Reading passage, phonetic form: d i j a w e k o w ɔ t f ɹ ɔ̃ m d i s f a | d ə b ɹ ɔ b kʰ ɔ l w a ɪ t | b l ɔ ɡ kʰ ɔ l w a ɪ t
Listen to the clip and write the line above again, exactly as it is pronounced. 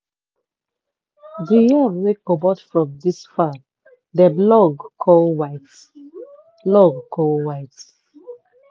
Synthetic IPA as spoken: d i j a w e k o b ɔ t f ɹ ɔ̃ m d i s f a | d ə b l ɔ ɡ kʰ ɔ l w a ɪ t | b l ɔ ɡ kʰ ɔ l w a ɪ t